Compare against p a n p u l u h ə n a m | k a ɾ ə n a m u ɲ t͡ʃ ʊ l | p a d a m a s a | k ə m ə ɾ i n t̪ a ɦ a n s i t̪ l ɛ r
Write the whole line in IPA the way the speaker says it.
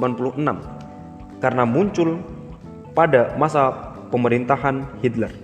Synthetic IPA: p a n p u l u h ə n a m | k a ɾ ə n a m u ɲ t͡ʃ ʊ l | p a d a m a s a | p ə m ə ɾ i n t̪ a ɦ a n h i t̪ l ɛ r